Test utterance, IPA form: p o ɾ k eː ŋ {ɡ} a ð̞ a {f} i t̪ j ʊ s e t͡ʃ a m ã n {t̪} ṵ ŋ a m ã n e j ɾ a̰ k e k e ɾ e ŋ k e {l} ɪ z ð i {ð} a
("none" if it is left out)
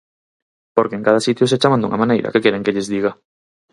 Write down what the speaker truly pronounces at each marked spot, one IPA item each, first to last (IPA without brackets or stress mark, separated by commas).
k, s, d̪, ʎ, ɣ